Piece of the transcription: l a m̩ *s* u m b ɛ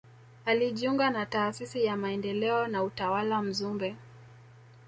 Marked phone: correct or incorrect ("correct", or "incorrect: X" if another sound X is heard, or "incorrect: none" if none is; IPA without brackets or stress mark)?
incorrect: z